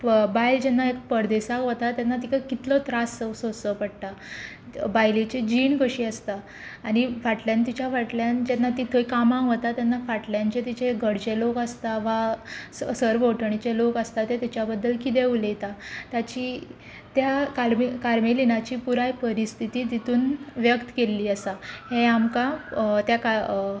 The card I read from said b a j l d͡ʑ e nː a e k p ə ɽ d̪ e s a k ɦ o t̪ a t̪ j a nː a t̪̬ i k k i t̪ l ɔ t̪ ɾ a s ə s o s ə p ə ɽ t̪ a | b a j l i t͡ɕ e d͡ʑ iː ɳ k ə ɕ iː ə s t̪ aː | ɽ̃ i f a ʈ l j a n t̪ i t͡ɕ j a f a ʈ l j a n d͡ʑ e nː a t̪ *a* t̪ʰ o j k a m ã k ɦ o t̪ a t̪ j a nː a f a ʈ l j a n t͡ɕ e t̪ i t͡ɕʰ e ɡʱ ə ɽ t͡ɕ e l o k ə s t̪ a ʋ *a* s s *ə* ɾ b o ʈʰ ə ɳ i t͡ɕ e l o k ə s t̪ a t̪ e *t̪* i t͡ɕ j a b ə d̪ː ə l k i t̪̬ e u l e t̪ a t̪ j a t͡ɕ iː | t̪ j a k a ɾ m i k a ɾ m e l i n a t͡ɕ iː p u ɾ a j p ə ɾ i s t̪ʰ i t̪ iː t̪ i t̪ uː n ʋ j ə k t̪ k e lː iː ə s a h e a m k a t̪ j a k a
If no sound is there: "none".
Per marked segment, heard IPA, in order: i, a, ə, t̪

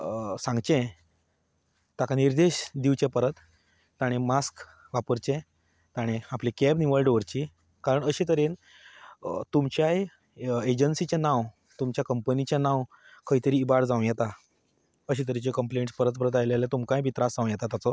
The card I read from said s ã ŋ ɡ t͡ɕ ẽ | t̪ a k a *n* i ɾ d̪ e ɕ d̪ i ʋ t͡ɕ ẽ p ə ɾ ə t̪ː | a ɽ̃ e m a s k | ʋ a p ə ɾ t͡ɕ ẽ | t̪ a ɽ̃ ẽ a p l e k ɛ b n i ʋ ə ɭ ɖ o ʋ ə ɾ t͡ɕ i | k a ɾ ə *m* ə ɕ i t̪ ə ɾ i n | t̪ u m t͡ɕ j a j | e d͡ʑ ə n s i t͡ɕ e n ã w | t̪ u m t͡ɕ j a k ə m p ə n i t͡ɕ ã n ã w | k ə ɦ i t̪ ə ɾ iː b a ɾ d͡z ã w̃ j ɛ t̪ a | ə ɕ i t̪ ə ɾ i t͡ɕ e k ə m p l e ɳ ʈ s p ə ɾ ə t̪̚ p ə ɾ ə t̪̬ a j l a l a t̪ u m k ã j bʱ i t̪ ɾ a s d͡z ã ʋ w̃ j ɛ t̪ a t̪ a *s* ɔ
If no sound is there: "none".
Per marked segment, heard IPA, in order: n, ɳ, t͡s

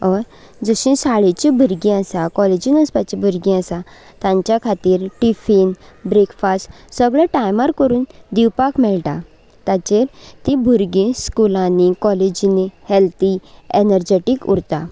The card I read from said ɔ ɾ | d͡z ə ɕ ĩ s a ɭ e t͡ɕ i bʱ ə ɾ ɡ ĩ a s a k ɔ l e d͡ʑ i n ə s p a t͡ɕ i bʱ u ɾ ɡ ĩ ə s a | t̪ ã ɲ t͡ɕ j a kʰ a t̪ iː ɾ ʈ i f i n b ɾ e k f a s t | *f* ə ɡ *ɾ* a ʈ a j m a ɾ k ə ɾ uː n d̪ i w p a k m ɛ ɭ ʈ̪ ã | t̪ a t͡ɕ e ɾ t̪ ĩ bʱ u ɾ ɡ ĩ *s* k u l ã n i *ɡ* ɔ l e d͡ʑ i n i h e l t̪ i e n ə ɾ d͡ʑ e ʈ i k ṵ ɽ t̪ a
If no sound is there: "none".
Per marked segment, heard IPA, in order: s, ɭ, s, k

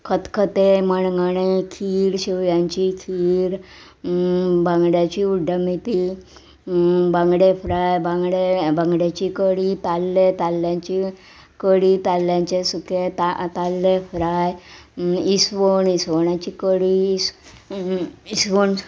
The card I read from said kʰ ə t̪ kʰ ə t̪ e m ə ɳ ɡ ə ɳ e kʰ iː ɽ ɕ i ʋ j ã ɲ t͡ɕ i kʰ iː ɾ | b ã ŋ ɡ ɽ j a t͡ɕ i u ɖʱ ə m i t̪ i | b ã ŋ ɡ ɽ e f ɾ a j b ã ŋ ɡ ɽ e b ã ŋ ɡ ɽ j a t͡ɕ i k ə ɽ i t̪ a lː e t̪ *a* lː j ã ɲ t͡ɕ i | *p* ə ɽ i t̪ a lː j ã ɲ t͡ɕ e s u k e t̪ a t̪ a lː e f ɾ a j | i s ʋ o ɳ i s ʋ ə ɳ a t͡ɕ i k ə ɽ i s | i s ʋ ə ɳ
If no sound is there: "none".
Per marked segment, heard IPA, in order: a, k

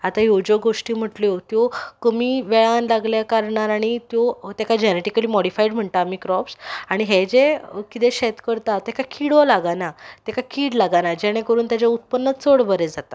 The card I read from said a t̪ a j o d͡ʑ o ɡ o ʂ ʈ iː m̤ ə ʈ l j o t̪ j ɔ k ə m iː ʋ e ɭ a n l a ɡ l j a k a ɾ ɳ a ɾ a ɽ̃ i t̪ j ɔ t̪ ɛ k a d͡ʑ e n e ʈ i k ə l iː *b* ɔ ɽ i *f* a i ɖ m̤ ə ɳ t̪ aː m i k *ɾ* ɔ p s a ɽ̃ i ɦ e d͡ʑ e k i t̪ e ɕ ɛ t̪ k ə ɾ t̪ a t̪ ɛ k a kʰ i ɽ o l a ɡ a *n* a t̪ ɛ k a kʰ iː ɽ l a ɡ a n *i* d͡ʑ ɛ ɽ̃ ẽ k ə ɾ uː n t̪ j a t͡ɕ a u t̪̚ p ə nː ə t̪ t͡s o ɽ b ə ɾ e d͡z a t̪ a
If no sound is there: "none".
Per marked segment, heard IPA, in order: m, f, ɾ, n, a

